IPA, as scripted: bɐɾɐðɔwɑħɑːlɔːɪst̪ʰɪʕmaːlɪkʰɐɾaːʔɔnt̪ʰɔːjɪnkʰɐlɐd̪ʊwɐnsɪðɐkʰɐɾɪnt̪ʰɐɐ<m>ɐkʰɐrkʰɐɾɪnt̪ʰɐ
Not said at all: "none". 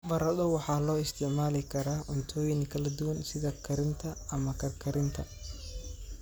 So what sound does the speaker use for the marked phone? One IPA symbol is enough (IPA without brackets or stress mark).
m